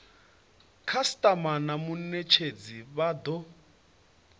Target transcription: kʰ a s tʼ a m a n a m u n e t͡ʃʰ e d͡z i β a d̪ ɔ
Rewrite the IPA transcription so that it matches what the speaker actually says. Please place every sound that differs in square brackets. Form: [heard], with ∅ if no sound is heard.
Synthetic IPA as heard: kʰ a s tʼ a m a n a m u n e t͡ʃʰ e d͡z i β a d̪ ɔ